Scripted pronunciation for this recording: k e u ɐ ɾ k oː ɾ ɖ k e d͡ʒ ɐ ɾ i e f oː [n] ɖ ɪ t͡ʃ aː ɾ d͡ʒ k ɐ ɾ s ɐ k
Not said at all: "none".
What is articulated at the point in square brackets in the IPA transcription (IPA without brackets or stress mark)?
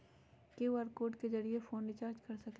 n